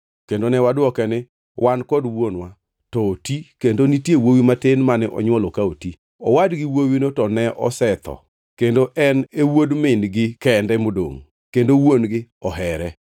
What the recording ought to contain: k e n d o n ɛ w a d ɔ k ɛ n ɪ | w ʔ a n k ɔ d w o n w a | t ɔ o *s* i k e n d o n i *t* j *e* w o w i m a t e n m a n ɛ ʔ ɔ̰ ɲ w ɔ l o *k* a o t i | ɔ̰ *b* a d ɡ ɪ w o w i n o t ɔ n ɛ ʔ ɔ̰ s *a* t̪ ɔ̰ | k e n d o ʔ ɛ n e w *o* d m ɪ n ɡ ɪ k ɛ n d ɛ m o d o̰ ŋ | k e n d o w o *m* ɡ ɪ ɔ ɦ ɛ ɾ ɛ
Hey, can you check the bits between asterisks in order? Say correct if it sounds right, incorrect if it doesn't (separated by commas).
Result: incorrect, correct, correct, correct, incorrect, incorrect, correct, incorrect